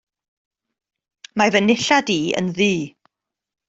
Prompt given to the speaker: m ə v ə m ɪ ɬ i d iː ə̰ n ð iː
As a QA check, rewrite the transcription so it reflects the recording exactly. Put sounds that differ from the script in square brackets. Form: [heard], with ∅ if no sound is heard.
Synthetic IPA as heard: m [a] v ə [n] ɪ ɬ [a] d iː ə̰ n ð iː